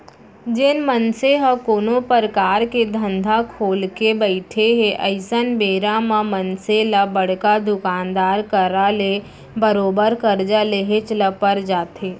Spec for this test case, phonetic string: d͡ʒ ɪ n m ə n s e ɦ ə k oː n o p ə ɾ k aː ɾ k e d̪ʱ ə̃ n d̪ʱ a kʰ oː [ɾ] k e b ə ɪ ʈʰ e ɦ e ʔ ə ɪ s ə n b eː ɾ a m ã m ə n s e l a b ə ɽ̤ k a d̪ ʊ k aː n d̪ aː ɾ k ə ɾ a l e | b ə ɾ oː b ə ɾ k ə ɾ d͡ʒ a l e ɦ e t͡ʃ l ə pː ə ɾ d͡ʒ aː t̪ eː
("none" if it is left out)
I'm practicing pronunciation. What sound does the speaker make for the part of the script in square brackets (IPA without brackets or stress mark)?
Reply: l